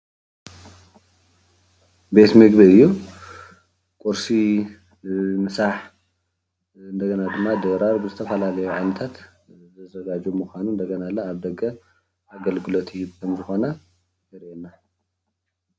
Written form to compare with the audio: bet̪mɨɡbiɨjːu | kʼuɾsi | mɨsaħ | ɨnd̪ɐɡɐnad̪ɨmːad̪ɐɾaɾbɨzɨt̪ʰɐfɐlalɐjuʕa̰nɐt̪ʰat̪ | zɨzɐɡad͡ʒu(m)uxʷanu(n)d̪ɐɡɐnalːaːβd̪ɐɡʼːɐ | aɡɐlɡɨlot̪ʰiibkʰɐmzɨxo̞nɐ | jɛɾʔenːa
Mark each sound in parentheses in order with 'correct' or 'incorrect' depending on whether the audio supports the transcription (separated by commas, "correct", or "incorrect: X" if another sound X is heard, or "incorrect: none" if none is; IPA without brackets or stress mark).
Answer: correct, correct